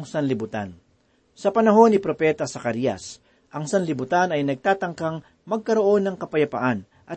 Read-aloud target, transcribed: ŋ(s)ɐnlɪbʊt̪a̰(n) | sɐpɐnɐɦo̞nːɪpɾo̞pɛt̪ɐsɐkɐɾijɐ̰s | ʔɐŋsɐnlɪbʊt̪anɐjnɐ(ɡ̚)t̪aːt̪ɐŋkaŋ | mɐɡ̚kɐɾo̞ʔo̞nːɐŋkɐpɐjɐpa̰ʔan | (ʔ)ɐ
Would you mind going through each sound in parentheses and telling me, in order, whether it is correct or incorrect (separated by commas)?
correct, correct, correct, correct